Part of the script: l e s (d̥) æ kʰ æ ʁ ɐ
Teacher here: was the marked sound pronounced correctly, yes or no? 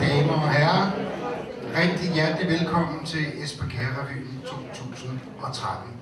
no